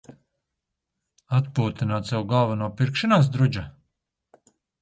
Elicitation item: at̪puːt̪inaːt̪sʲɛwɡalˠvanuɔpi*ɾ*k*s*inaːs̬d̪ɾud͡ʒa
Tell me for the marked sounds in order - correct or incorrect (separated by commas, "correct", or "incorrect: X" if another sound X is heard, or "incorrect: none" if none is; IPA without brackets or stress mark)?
correct, incorrect: ʃ